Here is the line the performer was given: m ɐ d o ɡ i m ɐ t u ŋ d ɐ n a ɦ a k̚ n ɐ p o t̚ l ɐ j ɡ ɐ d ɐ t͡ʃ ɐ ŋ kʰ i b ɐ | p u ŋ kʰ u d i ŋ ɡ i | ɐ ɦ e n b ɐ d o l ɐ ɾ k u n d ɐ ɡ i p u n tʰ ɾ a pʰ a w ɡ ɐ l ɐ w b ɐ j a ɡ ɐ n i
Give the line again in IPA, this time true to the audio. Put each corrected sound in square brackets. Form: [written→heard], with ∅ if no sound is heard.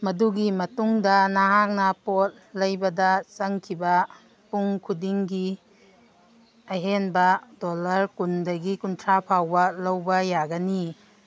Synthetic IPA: m ɐ d [o→u] ɡ i m ɐ t u ŋ d ɐ n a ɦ a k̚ n ɐ p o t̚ l ɐ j [ɡ→b] ɐ d ɐ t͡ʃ ɐ ŋ kʰ i b ɐ | p u ŋ kʰ u d i ŋ ɡ i | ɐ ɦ e n b ɐ d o l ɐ ɾ k u n d ɐ ɡ i [p→k] u n tʰ ɾ a pʰ a w [ɡ→b] ɐ l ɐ w b ɐ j a ɡ ɐ n i